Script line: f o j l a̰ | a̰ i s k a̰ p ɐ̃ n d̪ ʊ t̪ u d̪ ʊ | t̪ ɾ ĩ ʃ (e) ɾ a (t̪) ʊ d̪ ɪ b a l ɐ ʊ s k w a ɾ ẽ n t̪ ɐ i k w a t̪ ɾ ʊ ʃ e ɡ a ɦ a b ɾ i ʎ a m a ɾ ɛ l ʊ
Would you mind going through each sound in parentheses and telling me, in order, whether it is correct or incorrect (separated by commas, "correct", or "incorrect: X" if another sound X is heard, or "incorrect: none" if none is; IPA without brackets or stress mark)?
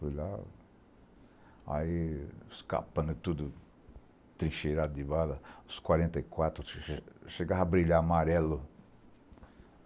correct, incorrect: d̪